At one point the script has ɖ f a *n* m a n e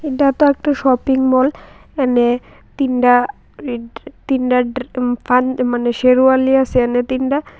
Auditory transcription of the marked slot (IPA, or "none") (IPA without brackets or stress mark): n